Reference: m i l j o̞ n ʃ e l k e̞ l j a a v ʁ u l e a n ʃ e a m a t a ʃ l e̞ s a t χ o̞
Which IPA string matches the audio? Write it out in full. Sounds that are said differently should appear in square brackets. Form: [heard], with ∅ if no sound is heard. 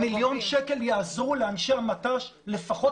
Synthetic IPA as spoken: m i l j o̞ n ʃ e [∅] k e̞ l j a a [z] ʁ u l e a n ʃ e a m a t a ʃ l e̞ [f] a [∅] χ o̞